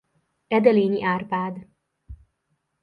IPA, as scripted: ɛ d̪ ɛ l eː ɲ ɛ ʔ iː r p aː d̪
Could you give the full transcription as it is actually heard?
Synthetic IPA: ɛ d̪ ɛ l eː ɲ i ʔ aː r p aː d̪